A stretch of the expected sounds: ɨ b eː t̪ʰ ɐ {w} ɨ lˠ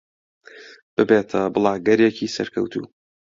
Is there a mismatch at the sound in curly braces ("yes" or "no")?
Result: yes